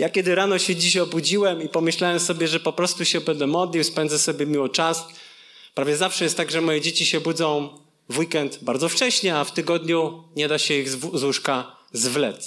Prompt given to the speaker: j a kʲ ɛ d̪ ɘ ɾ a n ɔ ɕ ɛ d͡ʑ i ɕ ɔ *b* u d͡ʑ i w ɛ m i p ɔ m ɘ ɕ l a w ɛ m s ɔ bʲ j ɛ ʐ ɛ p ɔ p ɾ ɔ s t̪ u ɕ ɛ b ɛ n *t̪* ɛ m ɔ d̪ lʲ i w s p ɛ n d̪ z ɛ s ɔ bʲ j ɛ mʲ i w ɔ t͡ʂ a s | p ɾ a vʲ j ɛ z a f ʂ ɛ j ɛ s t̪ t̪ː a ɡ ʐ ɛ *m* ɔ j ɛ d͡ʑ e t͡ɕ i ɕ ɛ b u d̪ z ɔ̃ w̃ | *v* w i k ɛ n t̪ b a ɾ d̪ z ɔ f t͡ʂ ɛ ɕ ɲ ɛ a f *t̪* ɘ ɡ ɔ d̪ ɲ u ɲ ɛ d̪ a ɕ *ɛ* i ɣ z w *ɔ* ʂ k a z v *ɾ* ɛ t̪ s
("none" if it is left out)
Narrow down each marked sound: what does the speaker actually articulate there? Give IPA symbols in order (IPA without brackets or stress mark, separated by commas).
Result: b, d̪, m, v, t̪, ɛ, u, l